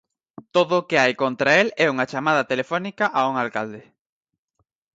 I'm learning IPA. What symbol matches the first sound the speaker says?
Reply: t̪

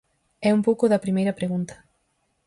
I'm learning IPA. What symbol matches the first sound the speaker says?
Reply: ɛ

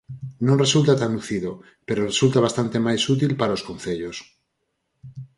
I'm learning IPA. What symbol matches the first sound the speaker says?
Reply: n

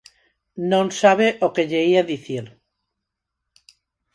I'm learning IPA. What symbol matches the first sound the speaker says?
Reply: n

